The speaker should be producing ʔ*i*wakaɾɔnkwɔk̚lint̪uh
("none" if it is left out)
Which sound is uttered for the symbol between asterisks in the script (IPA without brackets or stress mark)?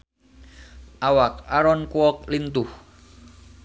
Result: a